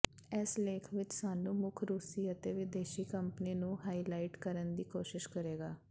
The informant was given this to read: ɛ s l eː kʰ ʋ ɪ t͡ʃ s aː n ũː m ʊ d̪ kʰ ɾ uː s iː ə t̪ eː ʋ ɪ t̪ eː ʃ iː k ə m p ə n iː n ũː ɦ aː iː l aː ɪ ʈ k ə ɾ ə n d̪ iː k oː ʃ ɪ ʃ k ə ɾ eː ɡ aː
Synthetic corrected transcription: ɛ s l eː kʰ ʋ ɪ t͡ʃ s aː n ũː m ʊ kʰ ɾ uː s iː ə t̪ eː ʋ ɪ d̪ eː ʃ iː k ə m p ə n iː n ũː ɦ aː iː l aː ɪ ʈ k ə ɾ ə n d̪ iː k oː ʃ ɪ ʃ k ə ɾ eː ɡ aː